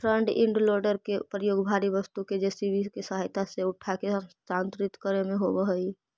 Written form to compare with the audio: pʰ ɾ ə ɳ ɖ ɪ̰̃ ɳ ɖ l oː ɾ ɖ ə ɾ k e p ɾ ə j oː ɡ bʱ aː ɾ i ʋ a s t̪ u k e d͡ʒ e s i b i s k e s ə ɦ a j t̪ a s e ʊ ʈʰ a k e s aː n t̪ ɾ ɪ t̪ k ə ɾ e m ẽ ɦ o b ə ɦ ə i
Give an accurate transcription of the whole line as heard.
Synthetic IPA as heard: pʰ ɾ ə ɳ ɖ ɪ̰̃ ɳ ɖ l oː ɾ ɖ ə ɾ k e p ɾ ə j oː ɡ bʱ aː ɾ i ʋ ə s t̪ u k e d͡ʒ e s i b i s k e s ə ɦ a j t̪ a s e ʊ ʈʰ a k e s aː n t̪ ɾ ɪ t̪ k ə ɾ e m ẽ ɦ o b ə ɦ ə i